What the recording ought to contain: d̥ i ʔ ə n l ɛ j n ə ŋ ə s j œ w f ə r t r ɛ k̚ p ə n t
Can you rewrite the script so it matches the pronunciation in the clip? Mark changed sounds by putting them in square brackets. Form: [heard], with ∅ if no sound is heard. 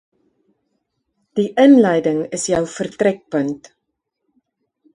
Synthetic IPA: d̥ i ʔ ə n l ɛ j [d] ə ŋ ə s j œ w f ə r t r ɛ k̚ p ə n t